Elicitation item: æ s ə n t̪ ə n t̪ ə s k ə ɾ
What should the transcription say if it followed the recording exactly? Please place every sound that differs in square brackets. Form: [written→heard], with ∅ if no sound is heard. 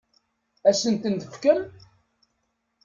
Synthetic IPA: æ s ə n t̪ ə n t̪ ə [s→f] k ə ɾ